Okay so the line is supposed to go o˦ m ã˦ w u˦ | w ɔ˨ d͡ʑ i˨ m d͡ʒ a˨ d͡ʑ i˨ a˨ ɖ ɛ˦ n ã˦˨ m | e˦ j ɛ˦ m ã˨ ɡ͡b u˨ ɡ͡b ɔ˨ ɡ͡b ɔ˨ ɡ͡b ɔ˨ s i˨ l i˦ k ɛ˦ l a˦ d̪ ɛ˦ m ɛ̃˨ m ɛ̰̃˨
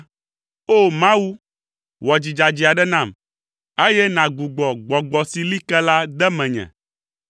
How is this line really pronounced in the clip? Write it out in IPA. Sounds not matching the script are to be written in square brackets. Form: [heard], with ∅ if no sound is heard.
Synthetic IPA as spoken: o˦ m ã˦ w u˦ | w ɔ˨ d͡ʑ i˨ [∅] d͡ʒ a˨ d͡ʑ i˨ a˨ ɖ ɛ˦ n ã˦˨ m | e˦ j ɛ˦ [n] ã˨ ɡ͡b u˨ ɡ͡b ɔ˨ ɡ͡b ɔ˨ ɡ͡b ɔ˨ s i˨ l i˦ k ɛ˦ l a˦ d̪ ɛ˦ m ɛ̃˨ [ɲ] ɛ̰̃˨